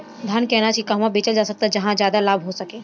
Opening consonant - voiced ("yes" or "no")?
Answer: yes